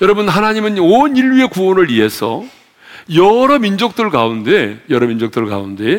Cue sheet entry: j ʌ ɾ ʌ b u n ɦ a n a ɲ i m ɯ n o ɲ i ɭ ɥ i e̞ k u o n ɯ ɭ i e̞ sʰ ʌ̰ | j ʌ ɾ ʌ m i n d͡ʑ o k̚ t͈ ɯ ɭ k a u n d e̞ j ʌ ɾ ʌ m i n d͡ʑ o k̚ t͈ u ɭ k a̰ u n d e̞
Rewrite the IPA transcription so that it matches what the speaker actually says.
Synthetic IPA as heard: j ʌ ɾ ʌ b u n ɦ a n a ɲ i m ɯ n o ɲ i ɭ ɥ i e̞ k u o n ɯ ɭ i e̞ sʰ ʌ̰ | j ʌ ɾ ʌ m i n d͡ʑ o k̚ t͈ ɯ ɭ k a u n d e̞ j ʌ ɾ ʌ m i n d͡ʑ o k̚ t͈ ɯ ɭ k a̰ u n d e̞